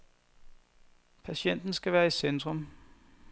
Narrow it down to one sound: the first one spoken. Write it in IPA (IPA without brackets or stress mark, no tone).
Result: pʰ